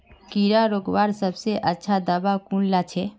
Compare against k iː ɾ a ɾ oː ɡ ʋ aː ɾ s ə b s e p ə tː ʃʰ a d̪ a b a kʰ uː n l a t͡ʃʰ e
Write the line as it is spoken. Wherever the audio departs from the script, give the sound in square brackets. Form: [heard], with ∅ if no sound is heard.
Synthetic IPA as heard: k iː ɾ a ɾ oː ɡ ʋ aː ɾ s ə b s e [ʔ] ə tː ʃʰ a d̪ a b a [k] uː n l a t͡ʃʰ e